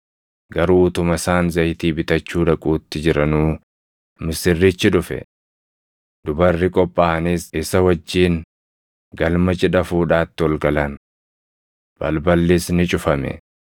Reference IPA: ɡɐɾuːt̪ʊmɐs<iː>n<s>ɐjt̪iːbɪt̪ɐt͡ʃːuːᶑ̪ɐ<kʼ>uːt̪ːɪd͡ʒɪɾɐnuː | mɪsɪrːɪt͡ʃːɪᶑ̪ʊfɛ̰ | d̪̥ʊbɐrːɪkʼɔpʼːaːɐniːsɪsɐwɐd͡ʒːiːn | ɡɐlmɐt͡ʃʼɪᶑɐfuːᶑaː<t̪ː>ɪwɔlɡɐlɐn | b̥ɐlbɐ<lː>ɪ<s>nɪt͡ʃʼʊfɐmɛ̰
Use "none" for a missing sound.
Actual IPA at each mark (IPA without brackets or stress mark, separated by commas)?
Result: aː, z, kʼ, t̪ː, lː, s